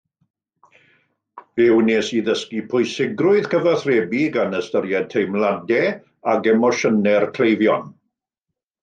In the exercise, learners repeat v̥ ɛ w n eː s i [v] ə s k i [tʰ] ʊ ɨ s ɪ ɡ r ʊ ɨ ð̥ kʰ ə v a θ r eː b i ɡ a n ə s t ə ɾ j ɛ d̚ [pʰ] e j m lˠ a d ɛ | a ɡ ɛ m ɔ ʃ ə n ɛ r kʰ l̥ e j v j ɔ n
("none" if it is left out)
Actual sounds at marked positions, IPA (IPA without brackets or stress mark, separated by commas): ð, pʰ, tʰ